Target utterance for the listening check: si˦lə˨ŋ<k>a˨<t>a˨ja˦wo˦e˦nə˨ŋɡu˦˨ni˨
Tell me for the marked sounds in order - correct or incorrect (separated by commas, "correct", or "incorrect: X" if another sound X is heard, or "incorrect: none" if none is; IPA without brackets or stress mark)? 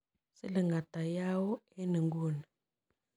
incorrect: ɡ, correct